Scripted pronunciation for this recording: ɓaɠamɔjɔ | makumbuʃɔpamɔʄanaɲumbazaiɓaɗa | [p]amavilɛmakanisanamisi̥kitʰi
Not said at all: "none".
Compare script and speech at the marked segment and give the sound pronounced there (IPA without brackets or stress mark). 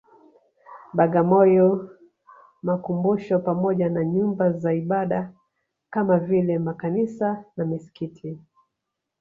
k